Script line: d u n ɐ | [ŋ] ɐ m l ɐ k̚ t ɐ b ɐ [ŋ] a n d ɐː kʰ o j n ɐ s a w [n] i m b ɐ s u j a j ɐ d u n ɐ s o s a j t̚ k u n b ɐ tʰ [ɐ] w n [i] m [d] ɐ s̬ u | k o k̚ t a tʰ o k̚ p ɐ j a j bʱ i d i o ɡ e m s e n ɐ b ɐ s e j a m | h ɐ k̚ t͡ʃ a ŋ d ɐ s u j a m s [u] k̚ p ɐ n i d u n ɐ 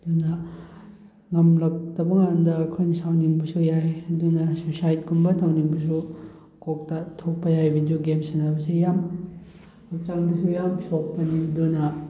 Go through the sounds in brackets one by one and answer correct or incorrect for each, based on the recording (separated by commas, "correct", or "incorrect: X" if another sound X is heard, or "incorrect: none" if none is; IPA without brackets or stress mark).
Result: correct, correct, correct, incorrect: a, correct, incorrect: b, incorrect: o